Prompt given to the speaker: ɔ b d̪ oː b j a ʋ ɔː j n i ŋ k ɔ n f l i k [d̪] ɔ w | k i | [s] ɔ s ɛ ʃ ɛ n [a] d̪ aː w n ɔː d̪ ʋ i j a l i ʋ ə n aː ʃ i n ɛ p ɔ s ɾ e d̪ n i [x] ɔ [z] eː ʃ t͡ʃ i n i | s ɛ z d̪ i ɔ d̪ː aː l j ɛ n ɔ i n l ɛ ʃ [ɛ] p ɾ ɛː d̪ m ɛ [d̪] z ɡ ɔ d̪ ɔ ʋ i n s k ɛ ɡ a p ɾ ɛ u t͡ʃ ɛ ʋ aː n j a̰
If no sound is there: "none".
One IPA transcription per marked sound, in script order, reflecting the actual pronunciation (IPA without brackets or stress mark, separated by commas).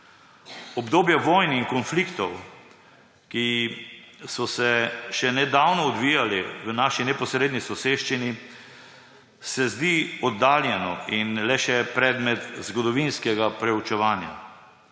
t̪, s, ɛ, s, s, ɛ, t̪